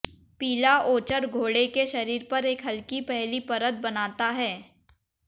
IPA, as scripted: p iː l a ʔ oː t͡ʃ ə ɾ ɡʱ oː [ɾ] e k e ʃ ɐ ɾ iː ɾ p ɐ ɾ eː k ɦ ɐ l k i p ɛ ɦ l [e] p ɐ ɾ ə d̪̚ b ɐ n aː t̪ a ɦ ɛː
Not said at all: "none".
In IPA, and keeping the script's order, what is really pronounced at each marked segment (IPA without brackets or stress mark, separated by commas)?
ɽ, i